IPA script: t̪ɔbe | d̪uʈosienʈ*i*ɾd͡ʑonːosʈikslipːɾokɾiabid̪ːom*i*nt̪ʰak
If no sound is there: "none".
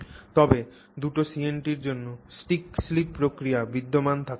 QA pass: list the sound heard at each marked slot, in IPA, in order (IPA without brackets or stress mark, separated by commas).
i, a